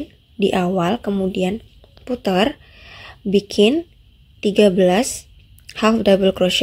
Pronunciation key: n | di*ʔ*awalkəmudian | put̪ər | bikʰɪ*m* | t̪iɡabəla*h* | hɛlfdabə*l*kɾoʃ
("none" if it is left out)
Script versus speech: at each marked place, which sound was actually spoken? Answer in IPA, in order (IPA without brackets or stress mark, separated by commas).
ʔ, n, s, l